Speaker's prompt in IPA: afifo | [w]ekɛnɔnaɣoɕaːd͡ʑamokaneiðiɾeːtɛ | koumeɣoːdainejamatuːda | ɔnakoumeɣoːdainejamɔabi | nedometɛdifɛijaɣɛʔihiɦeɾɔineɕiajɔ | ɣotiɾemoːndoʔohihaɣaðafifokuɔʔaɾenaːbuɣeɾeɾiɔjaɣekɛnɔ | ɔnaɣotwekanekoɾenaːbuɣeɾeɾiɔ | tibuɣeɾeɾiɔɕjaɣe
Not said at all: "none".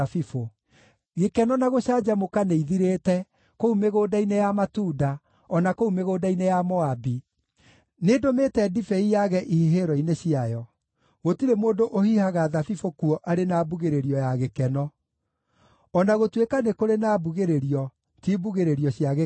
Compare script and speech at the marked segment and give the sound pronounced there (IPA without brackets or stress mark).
ɣ